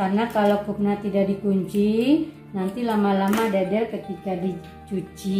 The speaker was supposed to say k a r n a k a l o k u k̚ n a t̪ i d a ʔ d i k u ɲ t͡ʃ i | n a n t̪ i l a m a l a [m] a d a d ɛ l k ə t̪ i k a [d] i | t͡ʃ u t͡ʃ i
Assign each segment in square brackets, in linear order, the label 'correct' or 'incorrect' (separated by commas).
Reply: correct, correct